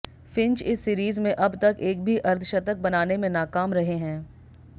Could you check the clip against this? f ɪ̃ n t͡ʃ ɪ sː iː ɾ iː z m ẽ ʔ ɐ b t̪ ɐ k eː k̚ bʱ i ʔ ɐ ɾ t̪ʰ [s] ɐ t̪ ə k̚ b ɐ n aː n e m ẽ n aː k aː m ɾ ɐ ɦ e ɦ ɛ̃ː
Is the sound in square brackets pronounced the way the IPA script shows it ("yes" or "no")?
no